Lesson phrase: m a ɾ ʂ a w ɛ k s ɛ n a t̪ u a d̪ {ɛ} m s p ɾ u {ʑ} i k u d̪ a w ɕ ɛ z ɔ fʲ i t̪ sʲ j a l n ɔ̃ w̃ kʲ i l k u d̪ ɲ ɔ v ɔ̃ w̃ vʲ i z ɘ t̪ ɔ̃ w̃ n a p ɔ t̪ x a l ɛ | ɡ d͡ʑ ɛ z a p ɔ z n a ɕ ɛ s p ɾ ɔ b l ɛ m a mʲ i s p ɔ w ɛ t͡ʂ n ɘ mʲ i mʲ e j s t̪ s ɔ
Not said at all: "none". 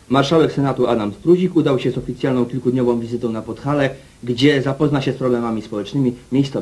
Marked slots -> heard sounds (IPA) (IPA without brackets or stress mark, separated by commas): a, ʑ